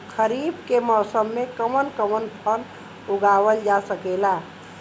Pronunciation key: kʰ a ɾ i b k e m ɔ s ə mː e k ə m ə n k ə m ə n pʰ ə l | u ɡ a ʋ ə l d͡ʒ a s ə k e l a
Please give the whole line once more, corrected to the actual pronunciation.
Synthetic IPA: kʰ ə ɾ i b k e m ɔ s ə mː e k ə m ə n k ə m ə n pʰ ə l | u ɡ a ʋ ə l d͡ʒ a s ə k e l a